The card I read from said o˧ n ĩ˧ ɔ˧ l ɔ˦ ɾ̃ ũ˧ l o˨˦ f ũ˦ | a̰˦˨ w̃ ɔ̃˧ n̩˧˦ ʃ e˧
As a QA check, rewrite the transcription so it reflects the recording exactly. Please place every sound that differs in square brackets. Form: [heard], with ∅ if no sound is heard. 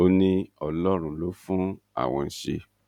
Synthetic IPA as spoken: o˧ n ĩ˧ ɔ˧ l ɔ˦ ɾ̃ ũ˧ l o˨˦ f ũ˦ | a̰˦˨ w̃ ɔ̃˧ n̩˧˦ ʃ e˧

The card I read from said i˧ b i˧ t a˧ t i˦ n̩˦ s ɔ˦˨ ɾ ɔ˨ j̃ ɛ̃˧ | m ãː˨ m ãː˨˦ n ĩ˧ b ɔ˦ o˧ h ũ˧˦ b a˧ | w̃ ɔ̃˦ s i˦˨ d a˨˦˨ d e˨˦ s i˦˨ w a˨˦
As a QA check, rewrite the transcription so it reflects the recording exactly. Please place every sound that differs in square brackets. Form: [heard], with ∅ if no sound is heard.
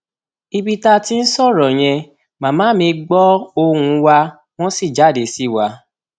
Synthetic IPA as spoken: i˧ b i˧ t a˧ t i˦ n̩˦ s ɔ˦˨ ɾ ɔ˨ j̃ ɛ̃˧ | m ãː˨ m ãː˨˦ [m] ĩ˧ [ɡ͡b] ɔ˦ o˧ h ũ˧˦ [w] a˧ | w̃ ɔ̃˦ s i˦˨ [d͡ʒ] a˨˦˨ d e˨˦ s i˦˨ w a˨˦

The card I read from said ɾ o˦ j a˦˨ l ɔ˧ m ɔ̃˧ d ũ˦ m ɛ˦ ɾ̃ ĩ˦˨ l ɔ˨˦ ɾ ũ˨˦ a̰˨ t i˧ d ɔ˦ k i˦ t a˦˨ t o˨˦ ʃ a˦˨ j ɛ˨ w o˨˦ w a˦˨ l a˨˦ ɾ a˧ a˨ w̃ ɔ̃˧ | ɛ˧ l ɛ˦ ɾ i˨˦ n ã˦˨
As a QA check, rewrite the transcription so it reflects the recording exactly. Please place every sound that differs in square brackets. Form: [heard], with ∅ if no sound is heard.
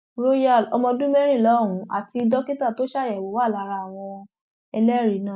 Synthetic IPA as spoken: ɾ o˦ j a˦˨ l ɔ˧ m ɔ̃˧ d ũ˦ m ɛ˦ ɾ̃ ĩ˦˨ l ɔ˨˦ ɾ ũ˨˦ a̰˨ t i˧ d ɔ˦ k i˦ t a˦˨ t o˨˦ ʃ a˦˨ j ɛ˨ w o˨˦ w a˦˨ l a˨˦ ɾ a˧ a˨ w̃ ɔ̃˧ | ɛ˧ l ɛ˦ ɾ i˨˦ n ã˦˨

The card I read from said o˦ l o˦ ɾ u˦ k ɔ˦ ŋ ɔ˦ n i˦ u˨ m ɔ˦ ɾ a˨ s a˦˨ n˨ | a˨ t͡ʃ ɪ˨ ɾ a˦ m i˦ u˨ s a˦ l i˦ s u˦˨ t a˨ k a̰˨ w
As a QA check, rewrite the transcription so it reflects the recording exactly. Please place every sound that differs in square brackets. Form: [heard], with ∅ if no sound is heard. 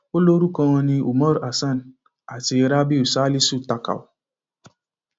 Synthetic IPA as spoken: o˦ l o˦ ɾ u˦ k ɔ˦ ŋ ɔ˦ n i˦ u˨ m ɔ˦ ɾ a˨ s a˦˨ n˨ | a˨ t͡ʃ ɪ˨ ɾ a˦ [b] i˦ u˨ s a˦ l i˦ s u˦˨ t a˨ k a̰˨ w

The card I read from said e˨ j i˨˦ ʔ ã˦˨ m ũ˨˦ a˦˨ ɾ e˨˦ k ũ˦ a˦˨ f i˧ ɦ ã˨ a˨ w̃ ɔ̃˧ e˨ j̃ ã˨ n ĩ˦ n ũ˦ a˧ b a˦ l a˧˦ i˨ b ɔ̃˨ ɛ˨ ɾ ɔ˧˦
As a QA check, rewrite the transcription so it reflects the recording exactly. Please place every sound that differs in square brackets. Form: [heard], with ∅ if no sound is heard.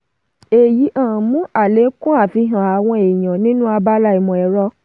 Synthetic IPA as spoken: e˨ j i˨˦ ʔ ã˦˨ m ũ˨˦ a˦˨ [l] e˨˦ k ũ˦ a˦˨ f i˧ ɦ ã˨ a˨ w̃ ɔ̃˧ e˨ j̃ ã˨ n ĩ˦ n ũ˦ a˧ b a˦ l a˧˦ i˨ [m] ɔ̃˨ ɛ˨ ɾ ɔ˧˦

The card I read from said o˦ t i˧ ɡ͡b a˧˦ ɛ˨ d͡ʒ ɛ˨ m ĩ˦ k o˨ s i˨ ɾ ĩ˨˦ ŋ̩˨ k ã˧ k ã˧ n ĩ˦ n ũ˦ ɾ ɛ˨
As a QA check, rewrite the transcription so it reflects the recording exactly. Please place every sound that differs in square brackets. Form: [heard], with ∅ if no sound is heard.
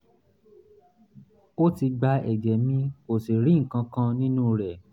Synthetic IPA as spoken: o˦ t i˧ ɡ͡b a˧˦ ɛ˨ d͡ʒ ɛ˨ m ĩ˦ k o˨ s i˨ ɾ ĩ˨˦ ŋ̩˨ k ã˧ k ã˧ n ĩ˦ n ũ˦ ɾ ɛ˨

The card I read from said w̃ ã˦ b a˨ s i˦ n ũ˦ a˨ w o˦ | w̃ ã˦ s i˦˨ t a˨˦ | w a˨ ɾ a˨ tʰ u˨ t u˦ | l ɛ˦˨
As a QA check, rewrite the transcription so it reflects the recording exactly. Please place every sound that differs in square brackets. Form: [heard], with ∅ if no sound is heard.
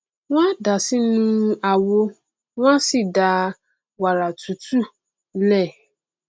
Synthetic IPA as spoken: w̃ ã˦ [d] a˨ s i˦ n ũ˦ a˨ w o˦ | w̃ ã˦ s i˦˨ [d] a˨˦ | w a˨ ɾ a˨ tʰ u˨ t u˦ | l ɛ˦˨

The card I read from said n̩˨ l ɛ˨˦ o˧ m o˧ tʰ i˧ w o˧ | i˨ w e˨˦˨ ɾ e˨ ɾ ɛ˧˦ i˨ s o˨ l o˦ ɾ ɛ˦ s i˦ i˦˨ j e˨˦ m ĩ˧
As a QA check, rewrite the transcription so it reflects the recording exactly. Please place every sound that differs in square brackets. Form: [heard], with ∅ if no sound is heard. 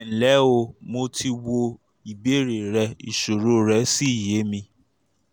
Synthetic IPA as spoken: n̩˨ l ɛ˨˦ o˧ m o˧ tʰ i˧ w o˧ | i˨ [b] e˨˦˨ ɾ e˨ ɾ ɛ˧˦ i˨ [ʃ] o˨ [ɾ] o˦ ɾ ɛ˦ s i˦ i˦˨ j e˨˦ m ĩ˧

